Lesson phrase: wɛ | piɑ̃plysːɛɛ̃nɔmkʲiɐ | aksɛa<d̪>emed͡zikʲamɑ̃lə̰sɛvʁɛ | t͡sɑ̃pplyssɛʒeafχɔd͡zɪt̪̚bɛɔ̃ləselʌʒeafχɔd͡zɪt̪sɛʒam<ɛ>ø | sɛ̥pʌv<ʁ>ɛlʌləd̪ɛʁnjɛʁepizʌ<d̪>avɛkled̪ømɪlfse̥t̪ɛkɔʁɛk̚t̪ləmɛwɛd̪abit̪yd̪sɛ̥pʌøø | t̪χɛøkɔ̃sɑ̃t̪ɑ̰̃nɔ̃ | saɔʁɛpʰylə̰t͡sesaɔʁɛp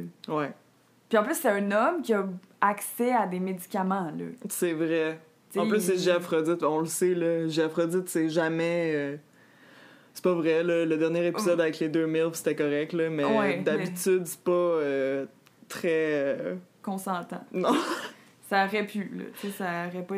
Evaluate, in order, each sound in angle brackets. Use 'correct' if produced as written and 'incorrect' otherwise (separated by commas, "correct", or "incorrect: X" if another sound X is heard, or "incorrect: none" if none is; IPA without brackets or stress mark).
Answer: correct, correct, correct, correct